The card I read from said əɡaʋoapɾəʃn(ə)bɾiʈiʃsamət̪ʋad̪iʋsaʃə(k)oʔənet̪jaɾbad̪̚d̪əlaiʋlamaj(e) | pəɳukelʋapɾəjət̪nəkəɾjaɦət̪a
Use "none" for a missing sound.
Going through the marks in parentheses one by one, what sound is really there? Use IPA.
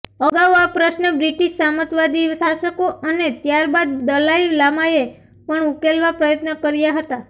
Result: ə, k, e

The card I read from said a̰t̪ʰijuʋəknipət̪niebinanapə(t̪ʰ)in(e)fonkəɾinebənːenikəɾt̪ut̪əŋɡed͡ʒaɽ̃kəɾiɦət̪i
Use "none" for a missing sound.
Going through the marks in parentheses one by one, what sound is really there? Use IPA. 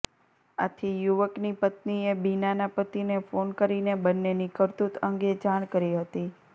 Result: t̪, e

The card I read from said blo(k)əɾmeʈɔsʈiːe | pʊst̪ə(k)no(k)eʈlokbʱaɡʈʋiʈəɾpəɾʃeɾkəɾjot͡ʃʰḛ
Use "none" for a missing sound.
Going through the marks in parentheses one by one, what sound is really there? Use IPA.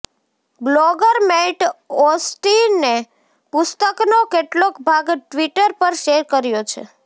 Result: ɡ, k, k

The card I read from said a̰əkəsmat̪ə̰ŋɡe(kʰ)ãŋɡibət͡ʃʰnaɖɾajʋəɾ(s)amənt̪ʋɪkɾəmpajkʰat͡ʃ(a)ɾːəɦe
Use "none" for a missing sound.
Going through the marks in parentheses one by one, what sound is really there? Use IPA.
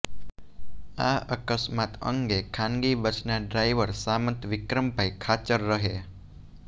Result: kʰ, s, ə

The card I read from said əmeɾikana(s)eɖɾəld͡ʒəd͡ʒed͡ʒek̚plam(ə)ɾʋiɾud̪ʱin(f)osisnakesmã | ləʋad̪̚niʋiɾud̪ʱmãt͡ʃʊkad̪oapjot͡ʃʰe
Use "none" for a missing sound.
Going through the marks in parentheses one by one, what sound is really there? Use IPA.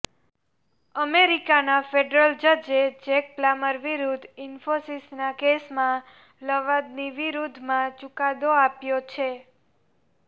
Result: f, ə, f

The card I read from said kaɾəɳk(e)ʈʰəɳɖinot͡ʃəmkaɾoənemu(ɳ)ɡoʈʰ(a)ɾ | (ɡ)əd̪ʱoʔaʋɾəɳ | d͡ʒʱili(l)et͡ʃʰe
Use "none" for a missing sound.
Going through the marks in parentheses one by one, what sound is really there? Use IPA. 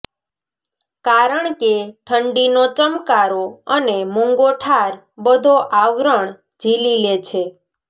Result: e, ŋ, a, b, l

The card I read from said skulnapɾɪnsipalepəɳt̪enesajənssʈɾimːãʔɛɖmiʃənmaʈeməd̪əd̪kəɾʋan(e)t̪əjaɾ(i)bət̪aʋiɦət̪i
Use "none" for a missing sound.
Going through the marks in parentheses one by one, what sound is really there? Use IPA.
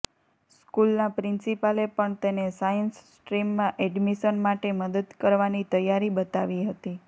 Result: i, i

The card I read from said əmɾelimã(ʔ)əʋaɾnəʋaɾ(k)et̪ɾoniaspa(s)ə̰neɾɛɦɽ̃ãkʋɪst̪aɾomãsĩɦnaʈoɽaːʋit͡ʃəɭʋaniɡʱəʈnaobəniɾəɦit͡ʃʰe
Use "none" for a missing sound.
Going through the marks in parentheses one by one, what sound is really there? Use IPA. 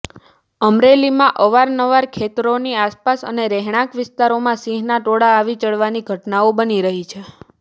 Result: ʔ, kʰ, s

